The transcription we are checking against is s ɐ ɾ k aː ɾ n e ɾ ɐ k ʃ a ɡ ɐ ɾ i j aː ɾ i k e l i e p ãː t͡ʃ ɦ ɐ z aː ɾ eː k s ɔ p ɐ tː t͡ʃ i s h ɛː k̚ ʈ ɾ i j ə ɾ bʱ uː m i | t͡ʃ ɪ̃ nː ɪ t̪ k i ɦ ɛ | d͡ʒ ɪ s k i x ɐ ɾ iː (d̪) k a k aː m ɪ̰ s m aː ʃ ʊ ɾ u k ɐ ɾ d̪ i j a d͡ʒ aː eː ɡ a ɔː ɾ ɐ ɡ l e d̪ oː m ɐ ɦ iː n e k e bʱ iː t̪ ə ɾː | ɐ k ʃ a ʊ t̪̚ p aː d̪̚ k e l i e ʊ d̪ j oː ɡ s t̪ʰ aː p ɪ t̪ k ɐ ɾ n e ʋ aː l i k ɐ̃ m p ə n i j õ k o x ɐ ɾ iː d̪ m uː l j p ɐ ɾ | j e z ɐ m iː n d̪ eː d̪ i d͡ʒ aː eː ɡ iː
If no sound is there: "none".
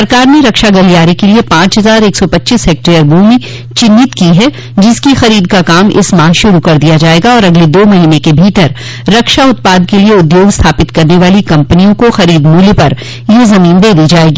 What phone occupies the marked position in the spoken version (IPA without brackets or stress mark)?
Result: d̪